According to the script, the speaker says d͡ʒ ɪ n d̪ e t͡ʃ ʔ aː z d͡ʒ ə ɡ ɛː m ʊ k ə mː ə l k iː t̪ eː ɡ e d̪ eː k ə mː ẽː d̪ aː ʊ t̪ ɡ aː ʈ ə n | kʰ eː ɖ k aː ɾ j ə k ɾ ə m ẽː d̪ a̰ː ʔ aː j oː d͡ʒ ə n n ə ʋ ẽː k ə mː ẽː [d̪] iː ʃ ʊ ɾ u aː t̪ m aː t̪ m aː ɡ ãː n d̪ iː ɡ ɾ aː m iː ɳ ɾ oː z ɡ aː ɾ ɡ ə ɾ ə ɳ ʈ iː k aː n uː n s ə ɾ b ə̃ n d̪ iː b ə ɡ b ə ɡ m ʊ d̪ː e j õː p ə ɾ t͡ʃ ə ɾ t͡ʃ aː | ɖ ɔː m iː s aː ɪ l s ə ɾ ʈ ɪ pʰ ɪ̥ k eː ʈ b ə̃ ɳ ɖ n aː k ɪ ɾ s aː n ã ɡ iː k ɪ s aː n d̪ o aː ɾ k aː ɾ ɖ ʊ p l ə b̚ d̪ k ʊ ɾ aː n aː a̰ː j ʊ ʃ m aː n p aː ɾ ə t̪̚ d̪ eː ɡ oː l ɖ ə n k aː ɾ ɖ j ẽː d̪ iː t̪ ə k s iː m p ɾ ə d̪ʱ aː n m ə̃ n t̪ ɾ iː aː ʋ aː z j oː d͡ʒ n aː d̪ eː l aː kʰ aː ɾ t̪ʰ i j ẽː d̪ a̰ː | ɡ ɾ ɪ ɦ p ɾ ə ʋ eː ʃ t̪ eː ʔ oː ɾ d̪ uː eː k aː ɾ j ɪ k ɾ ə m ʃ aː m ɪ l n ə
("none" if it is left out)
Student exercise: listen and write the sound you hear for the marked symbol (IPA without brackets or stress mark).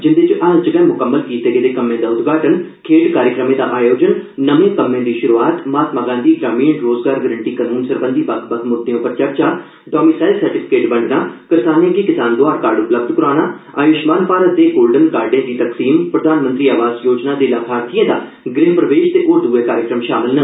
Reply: d̪